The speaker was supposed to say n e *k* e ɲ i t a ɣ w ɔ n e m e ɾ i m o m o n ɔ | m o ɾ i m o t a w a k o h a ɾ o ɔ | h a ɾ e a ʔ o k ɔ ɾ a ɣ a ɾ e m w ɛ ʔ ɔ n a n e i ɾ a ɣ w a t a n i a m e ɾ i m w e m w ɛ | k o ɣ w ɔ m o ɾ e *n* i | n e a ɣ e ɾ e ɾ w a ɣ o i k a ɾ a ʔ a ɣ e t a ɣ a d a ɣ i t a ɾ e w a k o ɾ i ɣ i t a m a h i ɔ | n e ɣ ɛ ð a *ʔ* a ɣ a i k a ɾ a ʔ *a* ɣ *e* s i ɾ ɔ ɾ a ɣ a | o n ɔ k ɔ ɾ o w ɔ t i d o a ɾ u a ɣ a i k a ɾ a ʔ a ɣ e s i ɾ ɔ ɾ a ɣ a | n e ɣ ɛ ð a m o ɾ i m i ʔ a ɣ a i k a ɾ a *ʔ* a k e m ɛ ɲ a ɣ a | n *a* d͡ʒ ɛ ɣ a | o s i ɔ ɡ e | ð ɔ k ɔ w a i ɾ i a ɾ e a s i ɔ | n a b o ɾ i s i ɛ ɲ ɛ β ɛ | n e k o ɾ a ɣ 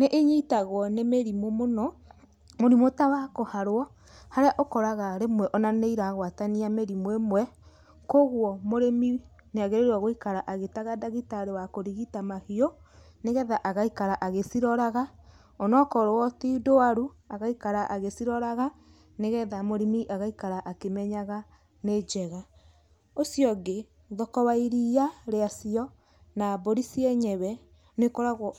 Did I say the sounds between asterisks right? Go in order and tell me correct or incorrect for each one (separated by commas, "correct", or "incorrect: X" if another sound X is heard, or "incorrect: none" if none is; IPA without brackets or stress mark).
incorrect: ʔ, incorrect: m, correct, correct, correct, correct, incorrect: e